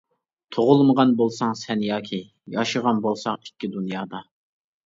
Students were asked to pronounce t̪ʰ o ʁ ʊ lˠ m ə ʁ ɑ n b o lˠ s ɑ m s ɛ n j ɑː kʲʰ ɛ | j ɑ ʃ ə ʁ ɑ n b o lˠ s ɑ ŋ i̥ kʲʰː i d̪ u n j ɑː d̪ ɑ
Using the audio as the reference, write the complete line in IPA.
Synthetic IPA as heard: t̪ʰ o ʁ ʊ lˠ m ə ʁ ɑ n b o lˠ s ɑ ŋ s ɛ n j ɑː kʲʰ i | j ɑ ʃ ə ʁ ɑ n b o lˠ s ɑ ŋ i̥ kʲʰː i d̪ u n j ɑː d̪ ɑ